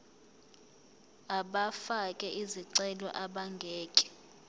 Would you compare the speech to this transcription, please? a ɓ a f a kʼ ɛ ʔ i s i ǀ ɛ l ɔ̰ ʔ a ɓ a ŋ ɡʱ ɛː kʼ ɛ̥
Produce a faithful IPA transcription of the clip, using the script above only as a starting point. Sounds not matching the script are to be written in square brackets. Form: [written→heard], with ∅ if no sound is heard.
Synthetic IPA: a ɓ a f a kʼ ɛ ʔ i [s→z] i ǀ ɛ l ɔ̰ ʔ a ɓ a ŋ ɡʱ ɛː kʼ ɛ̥